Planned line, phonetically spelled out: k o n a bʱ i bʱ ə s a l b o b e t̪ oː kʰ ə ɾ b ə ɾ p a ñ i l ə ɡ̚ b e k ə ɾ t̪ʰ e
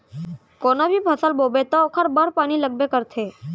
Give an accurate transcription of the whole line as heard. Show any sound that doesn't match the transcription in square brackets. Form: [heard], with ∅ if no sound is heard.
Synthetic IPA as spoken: k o n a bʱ i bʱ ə s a l b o b e t̪ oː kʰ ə ɾ b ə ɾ p a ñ i l ə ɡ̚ b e k ə ɾ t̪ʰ e

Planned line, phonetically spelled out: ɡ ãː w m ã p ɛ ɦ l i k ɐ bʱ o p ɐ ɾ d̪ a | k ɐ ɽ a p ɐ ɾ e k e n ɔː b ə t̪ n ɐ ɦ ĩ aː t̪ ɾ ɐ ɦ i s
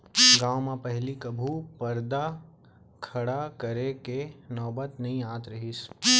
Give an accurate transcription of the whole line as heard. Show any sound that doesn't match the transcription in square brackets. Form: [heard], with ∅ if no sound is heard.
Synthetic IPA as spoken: ɡ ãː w m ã p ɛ ɦ l i k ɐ bʱ [u] p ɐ ɾ d̪ a | [kʰ] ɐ ɽ a [k] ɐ ɾ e k e n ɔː b ə t̪ n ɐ ɦ ĩ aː t̪ ɾ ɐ ɦ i s

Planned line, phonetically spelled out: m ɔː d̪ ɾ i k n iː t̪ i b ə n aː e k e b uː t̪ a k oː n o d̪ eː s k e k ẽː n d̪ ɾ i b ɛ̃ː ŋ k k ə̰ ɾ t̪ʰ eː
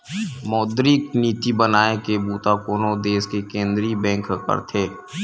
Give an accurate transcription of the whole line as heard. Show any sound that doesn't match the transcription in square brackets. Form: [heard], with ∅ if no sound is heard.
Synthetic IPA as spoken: m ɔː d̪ ɾ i k n iː t̪ i b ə n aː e k e b uː t̪ a k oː n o d̪ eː s k e k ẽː n d̪ ɾ i b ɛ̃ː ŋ k k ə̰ ɾ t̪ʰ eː

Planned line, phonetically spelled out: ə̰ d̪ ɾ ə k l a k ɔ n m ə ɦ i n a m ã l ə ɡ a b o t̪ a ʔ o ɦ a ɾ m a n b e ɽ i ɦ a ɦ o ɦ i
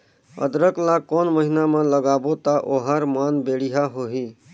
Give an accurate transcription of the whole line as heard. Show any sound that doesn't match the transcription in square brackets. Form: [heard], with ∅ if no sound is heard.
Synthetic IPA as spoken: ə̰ d̪ ɾ ə k l a k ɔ n m ə ɦ i n a m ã l ə ɡ a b o t̪ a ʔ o ɦ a ɾ m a n b e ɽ i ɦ a ɦ o ɦ i

